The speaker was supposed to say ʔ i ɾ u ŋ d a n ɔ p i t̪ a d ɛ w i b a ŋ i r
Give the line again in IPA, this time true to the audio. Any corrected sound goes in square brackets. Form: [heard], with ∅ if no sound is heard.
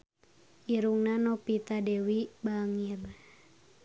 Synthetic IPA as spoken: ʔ i ɾ u ŋ [n] a n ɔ p i t̪ a d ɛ w i b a ŋ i r

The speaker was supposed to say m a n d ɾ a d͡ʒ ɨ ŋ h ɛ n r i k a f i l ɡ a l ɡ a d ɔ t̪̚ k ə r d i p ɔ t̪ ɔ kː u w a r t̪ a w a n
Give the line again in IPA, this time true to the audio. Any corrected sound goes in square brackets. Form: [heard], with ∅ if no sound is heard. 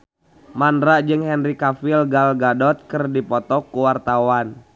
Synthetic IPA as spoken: m a n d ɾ a d͡ʒ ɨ ŋ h ɛ n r i k a f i l ɡ a l ɡ a d ɔ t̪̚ k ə r d i p ɔ t̪ ɔ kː u w a r t̪ a w a n

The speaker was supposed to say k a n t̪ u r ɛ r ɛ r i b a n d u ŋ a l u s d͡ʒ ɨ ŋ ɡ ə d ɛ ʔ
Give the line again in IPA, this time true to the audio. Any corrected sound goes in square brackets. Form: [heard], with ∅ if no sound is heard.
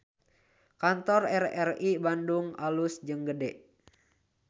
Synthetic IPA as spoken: k a n t̪ [ɔ] r ɛ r ɛ r i b a n d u ŋ a l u s d͡ʒ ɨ ŋ ɡ ə d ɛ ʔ

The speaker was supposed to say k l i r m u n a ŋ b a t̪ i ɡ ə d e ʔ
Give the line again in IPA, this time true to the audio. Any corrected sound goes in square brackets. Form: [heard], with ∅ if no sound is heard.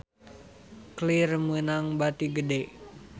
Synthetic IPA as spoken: k l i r m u n a ŋ b a t̪ i ɡ ə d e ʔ

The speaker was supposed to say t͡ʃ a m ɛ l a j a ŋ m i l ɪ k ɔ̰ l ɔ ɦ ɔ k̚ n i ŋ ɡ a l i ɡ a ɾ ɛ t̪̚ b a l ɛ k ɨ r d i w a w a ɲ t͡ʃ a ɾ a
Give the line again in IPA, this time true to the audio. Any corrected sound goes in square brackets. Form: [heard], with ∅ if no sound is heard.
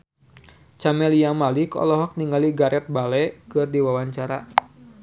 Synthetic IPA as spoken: t͡ʃ a m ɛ l [i] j a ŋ m [a] l [i] k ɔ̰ l ɔ ɦ ɔ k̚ n i ŋ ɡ a l i ɡ a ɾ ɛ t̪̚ b a l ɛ k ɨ r d i w a w a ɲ t͡ʃ a ɾ a

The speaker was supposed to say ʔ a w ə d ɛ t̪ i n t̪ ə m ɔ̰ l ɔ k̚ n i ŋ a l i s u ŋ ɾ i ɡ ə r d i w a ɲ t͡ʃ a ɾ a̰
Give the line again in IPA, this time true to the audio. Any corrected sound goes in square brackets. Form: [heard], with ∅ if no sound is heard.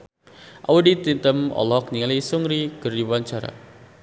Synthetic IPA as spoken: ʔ a w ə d [i] t̪ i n t̪ ə m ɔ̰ l ɔ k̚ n i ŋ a l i s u ŋ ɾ i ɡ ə r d i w a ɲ t͡ʃ a ɾ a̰

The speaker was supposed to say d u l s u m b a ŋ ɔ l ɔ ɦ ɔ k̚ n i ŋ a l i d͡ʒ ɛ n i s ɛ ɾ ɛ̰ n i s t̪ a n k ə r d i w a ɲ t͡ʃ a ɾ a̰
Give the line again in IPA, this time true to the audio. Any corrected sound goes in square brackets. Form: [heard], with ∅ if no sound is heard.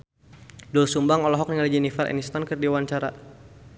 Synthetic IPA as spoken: d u l s u m b a ŋ ɔ l ɔ ɦ ɔ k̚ n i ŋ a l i d͡ʒ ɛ n i [f] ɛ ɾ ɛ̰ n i s t̪ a n k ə r d i w a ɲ t͡ʃ a ɾ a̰

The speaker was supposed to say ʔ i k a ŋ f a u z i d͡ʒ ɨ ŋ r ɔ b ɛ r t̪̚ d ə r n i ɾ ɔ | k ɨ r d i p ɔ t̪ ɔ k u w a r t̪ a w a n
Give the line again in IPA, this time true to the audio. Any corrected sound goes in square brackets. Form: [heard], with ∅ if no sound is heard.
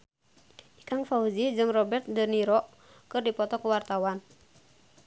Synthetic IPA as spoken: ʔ i k a ŋ f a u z i d͡ʒ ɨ ŋ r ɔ b ɛ r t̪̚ d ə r n i ɾ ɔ | k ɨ r d i p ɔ t̪ ɔ k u w a r t̪ a w a n

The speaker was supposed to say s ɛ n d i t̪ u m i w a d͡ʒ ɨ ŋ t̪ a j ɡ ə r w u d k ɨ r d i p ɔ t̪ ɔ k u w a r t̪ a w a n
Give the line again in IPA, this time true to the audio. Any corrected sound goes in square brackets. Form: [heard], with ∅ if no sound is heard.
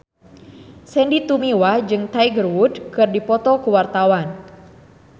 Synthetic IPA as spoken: s ɛ n d i t̪ u m i w a d͡ʒ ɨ ŋ t̪ a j ɡ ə r w u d k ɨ r d i p ɔ t̪ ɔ k u w a r t̪ a w a n

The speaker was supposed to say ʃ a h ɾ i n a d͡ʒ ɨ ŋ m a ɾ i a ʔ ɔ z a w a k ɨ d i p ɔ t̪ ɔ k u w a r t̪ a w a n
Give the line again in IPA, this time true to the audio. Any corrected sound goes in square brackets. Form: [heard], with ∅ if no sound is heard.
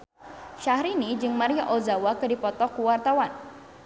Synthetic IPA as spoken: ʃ a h ɾ i n [i] d͡ʒ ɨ ŋ m a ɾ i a ʔ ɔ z a w a k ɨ d i p ɔ t̪ ɔ k u w a r t̪ a w a n

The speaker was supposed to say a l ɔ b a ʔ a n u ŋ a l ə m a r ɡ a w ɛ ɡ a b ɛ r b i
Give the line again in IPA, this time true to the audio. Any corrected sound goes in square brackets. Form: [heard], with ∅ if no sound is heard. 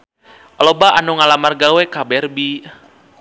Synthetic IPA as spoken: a l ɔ b a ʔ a n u ŋ a l [a] m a r ɡ a w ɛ [k] a b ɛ r b i

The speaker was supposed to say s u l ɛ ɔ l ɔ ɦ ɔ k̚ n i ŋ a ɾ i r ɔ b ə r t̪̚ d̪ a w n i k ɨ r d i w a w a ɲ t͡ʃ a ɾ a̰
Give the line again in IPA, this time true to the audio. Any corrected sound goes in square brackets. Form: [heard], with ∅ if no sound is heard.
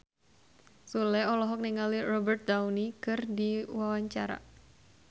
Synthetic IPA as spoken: s u l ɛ ɔ l ɔ ɦ ɔ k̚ n i ŋ a [l] i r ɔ b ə r t̪̚ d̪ a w n i k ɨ r d i w a w a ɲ t͡ʃ a ɾ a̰

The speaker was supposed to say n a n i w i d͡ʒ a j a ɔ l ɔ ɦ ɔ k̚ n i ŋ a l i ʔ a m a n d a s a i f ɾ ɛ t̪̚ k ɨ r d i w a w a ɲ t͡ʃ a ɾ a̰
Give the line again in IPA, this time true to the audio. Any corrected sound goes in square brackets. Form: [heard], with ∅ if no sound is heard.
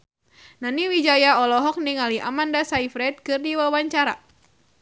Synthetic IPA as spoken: n a n i w i d͡ʒ a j a ɔ l ɔ ɦ ɔ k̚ n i ŋ a l i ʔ a m a n d a s a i f ɾ ɛ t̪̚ k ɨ r d i w a w a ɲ t͡ʃ a ɾ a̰

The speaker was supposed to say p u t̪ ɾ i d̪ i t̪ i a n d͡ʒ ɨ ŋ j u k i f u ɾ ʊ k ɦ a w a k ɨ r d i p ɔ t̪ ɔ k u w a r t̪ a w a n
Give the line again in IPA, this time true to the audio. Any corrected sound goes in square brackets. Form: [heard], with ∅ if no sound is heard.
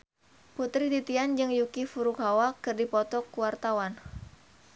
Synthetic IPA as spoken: p u t̪ ɾ i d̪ i t̪ i a n d͡ʒ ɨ ŋ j u k i f u ɾ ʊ k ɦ a w a k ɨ r d i p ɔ t̪ ɔ k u w a r t̪ a w a n

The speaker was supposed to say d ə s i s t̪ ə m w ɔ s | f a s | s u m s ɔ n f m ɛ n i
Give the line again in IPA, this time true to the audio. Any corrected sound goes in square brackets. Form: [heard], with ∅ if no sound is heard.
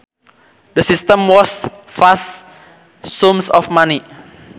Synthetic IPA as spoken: d ə s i s t̪ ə m w ɔ s | f a s | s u m s ɔ [∅] f m [a] n i

